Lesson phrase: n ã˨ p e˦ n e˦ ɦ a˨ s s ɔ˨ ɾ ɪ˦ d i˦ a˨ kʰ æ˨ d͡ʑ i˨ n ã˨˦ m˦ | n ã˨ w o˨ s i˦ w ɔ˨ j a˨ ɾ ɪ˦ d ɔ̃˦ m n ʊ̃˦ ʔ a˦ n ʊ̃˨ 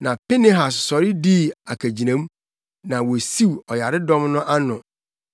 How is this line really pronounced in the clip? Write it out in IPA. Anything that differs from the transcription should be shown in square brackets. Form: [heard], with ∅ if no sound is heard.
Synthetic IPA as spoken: n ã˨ p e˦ n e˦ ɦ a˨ s s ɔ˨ ɾ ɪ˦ d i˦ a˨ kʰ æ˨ d͡ʑ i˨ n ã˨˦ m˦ | n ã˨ w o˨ s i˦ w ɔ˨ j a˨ ɾ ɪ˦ d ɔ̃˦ m n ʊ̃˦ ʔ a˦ n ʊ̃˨